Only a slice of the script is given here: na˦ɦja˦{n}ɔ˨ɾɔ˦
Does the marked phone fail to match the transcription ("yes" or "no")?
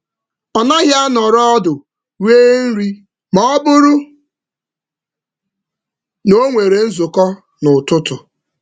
no